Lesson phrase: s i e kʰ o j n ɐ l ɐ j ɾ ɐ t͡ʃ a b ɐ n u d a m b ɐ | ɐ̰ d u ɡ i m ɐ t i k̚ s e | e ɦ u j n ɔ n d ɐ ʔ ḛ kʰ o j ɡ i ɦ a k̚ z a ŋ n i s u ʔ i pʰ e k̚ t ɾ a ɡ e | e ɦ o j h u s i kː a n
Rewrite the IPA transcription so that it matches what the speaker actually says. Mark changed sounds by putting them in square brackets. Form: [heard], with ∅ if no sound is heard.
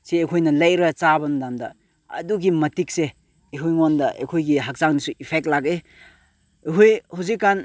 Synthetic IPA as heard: s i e kʰ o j n ɐ l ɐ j ɾ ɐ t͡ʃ a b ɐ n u d a m [d] ɐ | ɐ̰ d u ɡ i m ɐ t i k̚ s e | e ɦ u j [ŋ] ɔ n d ɐ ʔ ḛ kʰ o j ɡ i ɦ a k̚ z a ŋ n i s u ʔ i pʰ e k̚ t [l] a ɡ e | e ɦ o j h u [z] i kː a n